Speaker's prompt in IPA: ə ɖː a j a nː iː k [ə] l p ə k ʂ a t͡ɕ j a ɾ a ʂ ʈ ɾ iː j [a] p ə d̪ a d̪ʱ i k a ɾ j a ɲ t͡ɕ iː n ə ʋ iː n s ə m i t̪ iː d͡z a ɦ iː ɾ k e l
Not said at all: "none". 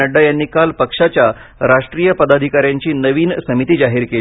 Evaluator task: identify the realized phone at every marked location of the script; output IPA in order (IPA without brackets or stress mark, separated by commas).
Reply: a, ə